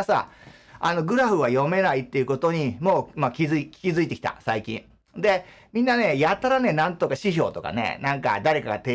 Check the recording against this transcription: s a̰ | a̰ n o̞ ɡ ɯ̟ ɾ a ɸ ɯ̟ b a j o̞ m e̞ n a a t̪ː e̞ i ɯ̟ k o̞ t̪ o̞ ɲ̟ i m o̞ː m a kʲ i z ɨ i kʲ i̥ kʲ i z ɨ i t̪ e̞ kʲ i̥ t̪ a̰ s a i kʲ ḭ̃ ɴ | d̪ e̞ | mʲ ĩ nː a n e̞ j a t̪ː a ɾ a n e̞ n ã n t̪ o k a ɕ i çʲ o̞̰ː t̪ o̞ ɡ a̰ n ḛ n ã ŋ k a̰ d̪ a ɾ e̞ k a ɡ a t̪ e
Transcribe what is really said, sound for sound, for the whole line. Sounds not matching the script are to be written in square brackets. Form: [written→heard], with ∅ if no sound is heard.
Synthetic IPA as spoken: s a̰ | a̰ n o̞ ɡ ɯ̟ ɾ a ɸ ɯ̟ [b→β] a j o̞ m e̞ n a [a→i] t̪ː e̞ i ɯ̟ k o̞ t̪ o̞ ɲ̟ i m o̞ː m a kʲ i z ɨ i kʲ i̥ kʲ i z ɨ i t̪ e̞ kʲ i̥ t̪ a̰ s a i kʲ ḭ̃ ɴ | d̪ e̞ | mʲ ĩ nː a n e̞ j a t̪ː a ɾ a n e̞ n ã n t̪ o k a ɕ i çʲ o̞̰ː t̪ o̞ [ɡ→k] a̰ n ḛ n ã ŋ k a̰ d̪ a ɾ e̞ k a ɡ a t̪ e